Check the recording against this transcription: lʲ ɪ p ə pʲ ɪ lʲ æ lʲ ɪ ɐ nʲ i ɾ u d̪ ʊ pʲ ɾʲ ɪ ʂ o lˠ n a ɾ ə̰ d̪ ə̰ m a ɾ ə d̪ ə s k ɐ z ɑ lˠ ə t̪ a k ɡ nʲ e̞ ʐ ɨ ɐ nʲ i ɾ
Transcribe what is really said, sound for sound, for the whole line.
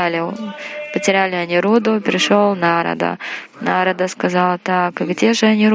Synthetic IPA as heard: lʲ ɪ p ə tʲ ɪ ɾʲ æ lʲ ɪ ɐ nʲ i ɾ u d̪ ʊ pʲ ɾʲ ɪ ʂ o lˠ n a ɾ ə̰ d̪ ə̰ n a ɾ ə d̪ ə s k ɐ z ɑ lˠ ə t̪ a k ɡ dʲ e̞ ʐ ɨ ɐ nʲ i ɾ